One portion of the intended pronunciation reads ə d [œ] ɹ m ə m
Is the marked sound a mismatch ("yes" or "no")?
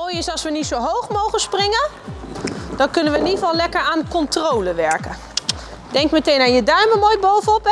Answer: no